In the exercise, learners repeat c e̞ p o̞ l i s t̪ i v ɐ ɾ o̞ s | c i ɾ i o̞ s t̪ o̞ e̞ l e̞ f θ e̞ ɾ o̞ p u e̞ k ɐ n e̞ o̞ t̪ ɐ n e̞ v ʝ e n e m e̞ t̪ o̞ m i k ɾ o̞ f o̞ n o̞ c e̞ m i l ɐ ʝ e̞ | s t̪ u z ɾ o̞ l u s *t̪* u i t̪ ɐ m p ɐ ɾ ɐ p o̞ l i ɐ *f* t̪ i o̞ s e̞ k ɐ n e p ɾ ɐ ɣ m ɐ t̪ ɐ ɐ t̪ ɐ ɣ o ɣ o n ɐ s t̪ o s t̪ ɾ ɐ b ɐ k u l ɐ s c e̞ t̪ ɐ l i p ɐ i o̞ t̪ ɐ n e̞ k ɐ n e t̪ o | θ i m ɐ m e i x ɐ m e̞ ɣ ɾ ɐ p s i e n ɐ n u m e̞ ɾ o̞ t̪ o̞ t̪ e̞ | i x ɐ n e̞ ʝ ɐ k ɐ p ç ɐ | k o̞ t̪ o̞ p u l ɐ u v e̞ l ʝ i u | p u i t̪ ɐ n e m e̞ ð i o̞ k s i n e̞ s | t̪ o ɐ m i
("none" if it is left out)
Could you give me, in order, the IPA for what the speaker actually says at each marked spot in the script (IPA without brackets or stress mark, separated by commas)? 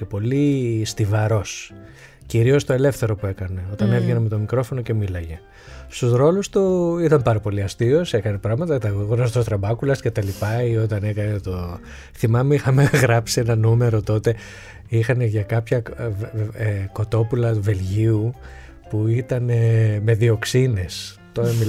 t̪, s